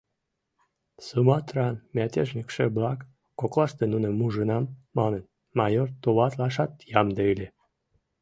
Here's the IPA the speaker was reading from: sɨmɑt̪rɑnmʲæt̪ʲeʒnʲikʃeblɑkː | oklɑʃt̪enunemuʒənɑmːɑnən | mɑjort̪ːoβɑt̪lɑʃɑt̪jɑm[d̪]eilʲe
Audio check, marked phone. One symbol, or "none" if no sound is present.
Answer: d̪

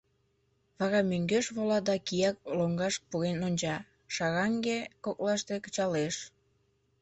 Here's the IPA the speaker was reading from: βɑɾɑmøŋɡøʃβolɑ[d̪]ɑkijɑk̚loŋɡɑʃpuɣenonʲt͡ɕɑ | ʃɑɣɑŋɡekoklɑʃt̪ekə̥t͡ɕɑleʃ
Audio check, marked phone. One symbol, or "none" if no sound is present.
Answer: d̪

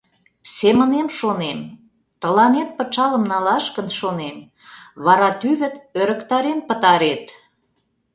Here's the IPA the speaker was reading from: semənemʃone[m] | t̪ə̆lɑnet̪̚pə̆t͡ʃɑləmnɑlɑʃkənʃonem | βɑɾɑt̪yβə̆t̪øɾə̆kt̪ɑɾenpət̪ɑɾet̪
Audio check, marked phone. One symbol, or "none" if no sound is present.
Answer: m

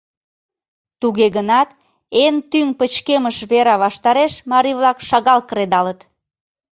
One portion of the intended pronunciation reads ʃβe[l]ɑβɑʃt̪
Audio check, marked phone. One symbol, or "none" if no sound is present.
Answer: ɾ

